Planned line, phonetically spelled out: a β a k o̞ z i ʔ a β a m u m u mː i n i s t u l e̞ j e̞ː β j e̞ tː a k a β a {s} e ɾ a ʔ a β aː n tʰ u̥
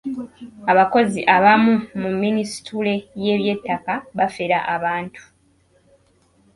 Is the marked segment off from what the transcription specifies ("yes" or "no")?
yes